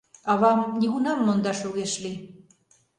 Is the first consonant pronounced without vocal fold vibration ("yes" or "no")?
no